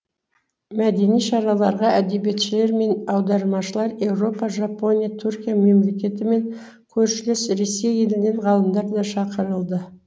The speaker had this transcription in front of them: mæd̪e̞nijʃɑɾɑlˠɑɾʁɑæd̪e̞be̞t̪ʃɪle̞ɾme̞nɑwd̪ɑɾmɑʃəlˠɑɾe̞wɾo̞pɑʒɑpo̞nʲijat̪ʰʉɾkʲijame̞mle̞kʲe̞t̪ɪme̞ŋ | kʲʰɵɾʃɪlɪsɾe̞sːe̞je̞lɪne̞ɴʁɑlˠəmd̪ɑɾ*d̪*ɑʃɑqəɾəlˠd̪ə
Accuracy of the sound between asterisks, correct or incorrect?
correct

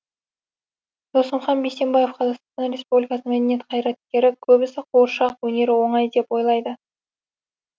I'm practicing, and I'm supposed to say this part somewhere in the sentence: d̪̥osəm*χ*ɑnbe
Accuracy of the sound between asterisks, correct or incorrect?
correct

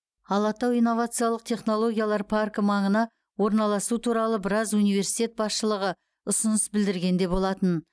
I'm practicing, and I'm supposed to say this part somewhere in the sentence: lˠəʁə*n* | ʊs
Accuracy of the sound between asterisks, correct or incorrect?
incorrect: none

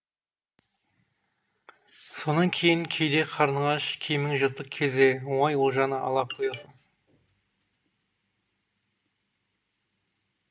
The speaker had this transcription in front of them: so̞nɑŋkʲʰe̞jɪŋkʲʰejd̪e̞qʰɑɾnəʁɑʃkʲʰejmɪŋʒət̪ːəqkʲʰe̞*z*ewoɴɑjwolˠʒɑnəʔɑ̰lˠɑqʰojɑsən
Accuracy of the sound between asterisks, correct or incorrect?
correct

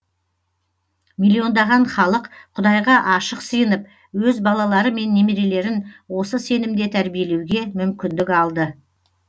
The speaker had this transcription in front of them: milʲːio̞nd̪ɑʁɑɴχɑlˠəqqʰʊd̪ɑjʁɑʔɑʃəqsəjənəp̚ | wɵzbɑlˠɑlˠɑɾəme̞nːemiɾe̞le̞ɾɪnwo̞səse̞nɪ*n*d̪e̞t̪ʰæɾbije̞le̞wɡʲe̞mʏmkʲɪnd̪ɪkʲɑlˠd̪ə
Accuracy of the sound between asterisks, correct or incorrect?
incorrect: m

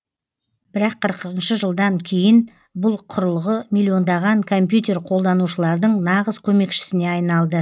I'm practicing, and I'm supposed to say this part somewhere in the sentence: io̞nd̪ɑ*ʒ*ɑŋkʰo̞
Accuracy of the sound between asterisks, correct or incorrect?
incorrect: ʁ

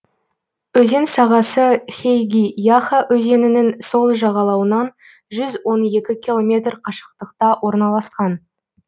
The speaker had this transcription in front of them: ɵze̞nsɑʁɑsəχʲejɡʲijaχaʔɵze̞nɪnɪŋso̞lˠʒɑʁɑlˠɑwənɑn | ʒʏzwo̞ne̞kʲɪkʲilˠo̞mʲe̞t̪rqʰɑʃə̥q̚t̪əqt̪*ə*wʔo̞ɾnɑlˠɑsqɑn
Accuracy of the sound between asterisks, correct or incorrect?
incorrect: ɑ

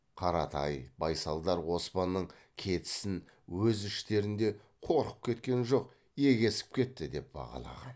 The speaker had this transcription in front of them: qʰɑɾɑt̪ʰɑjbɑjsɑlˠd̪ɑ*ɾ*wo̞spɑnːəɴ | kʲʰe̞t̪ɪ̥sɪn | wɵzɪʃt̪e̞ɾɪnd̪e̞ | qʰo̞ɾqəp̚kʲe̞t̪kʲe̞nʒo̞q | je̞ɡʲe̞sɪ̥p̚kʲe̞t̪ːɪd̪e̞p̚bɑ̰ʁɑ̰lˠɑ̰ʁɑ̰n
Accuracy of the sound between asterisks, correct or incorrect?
correct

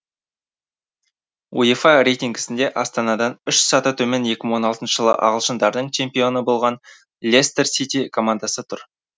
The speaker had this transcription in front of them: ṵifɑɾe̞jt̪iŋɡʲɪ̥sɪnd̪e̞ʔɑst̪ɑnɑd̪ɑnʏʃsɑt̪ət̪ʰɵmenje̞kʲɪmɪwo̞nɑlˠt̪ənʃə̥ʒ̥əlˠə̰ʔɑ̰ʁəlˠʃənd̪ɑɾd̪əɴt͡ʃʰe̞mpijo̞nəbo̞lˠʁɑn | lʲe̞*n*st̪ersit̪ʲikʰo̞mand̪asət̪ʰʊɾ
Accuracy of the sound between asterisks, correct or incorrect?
incorrect: none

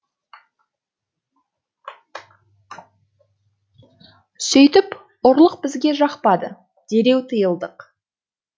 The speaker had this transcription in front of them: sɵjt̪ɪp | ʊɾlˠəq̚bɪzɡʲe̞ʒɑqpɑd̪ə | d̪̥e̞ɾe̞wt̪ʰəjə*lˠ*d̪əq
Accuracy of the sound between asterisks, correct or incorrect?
correct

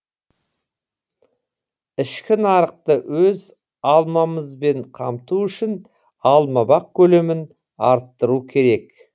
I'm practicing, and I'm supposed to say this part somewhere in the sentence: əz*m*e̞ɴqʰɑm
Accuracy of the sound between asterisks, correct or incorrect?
incorrect: b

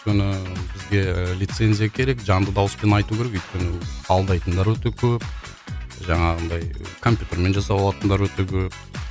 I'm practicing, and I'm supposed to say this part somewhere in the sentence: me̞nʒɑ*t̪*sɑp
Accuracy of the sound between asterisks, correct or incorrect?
incorrect: none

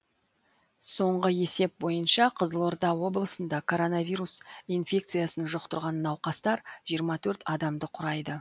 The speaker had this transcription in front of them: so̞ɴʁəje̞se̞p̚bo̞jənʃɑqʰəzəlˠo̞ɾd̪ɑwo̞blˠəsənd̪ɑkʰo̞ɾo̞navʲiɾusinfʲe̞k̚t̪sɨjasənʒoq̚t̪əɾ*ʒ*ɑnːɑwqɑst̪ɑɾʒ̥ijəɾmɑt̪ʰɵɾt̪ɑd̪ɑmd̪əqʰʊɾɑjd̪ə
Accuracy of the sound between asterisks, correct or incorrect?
incorrect: ʁ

